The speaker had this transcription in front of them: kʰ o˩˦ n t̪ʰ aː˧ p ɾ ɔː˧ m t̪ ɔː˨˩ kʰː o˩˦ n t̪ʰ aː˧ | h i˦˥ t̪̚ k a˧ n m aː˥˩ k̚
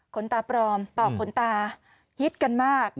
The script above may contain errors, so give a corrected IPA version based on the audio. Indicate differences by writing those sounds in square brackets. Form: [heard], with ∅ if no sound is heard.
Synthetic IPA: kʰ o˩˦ n [t̪] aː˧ p ɾ ɔː˧ m t̪ ɔː˨˩ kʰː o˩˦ n [t̪] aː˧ | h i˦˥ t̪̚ k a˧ n m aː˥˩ k̚